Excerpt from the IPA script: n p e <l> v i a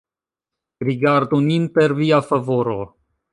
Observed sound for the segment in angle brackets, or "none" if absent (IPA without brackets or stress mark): ɾ